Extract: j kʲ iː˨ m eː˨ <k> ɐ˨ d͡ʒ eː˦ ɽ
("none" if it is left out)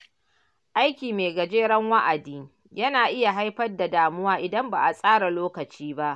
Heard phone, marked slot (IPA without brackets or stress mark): ɡ